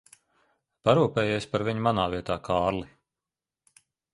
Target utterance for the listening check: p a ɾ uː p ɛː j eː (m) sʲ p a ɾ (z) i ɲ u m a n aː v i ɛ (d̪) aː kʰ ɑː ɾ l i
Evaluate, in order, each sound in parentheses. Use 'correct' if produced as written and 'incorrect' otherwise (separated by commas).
incorrect, incorrect, incorrect